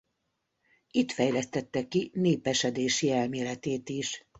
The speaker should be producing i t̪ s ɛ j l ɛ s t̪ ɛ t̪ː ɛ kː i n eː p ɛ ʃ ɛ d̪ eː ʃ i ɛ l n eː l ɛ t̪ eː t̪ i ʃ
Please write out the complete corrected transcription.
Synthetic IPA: i t̪ f ɛ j l ɛ s t̪ ɛ t̪ː ɛ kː i n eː p ɛ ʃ ɛ d̪ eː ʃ i ɛ l m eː l ɛ t̪ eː t̪ i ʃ